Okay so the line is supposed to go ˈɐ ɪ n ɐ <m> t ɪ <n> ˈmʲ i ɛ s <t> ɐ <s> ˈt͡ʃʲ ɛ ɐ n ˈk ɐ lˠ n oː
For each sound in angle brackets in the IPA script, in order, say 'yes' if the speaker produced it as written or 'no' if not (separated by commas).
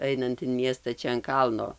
no, yes, yes, no